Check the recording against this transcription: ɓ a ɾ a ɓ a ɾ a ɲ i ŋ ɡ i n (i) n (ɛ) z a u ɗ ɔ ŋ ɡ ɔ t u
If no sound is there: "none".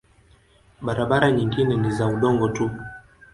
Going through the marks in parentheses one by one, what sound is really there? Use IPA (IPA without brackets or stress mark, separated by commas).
ɛ, i